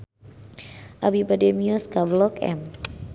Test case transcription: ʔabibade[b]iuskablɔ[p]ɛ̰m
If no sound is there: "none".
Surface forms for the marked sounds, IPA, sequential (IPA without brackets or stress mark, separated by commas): m, k